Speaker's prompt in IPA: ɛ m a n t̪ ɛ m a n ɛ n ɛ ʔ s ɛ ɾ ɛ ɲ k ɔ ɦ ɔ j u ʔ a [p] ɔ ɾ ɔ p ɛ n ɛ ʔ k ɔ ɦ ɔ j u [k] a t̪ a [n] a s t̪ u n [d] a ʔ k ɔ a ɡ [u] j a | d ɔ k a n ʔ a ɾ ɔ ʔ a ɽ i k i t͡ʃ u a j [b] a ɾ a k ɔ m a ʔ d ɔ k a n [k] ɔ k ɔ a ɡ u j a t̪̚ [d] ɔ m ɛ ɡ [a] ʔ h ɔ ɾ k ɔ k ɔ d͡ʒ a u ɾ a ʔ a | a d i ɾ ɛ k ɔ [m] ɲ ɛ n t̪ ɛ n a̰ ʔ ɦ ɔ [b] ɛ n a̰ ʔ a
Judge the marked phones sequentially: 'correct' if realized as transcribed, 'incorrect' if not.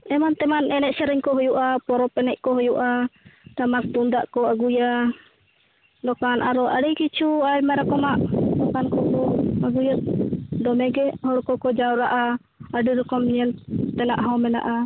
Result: correct, incorrect, incorrect, correct, correct, incorrect, correct, correct, incorrect, correct, incorrect

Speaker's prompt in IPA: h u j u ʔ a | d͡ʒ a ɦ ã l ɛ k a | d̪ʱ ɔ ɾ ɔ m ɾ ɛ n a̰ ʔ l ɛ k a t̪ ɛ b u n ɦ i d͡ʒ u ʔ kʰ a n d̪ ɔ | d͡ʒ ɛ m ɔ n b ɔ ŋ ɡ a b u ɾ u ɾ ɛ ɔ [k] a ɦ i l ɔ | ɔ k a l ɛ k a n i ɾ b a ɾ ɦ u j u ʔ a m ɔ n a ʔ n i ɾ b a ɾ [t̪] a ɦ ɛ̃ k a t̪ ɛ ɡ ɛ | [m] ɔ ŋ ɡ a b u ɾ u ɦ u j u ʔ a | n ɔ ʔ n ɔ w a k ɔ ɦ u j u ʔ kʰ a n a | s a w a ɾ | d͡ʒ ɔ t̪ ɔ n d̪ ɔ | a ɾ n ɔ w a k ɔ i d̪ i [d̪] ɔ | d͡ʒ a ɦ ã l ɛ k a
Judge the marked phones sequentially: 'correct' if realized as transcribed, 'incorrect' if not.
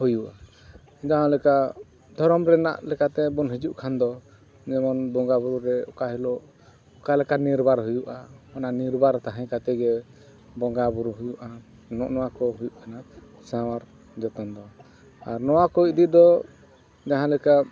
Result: correct, correct, incorrect, correct

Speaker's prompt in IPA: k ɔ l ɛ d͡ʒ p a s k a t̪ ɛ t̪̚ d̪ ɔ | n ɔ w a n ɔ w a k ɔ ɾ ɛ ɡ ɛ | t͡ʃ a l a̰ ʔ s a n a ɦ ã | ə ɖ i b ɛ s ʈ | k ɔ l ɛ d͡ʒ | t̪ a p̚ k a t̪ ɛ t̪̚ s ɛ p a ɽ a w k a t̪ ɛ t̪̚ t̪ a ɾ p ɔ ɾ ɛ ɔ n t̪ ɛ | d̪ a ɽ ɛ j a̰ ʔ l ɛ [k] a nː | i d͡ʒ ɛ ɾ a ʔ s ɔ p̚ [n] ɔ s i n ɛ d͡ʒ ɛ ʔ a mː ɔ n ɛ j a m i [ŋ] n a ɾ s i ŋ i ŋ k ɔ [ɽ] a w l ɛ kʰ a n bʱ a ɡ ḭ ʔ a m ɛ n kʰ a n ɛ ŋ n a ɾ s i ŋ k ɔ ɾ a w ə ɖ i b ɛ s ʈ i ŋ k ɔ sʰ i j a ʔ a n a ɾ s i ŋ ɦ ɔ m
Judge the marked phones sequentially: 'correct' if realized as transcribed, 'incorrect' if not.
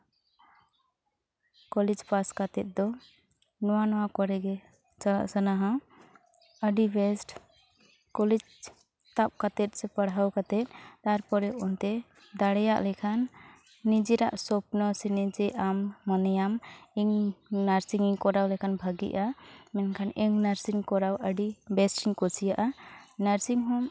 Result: incorrect, correct, correct, incorrect

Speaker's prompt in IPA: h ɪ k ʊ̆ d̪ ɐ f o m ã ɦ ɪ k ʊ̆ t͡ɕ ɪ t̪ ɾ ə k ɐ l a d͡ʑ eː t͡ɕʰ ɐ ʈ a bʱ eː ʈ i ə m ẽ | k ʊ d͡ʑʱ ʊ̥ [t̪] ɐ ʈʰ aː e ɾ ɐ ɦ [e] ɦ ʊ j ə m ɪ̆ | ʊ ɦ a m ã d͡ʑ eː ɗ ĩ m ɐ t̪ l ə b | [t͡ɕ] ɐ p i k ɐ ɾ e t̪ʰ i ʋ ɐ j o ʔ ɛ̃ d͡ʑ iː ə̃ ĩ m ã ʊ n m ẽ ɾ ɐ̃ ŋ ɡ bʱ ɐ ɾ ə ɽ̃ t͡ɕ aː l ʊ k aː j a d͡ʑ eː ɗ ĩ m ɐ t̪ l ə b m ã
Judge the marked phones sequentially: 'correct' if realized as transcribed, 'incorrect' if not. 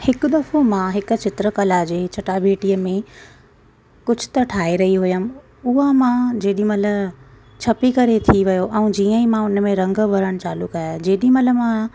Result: correct, incorrect, incorrect

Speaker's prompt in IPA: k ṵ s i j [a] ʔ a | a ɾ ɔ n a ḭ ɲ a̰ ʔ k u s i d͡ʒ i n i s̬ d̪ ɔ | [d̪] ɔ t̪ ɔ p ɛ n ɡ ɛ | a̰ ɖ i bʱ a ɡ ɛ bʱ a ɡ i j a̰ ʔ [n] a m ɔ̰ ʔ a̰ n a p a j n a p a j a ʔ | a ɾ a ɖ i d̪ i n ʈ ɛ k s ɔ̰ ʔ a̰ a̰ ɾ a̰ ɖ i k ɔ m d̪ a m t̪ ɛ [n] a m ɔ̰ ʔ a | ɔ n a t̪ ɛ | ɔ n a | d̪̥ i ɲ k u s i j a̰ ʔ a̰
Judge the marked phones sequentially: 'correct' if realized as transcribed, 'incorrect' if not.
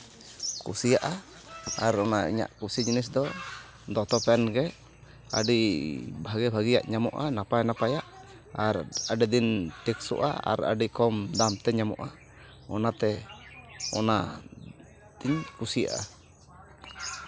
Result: correct, correct, incorrect, incorrect

